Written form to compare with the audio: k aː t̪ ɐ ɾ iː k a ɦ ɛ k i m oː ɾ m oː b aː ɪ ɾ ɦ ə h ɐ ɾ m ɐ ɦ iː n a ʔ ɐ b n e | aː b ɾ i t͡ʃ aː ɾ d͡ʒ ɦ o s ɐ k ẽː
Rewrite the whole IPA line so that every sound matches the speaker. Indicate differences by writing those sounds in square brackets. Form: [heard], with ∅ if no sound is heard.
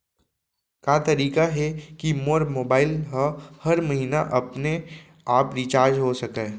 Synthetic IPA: k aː t̪ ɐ ɾ iː k a ɦ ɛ k i m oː ɾ m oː b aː ɪ [l] ɦ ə h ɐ ɾ m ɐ ɦ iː n a ʔ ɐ [p] n e | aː [p] ɾ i t͡ʃ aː ɾ d͡ʒ ɦ o s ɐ k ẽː